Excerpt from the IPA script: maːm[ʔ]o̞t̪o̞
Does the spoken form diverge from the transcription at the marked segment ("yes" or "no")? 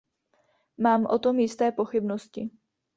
no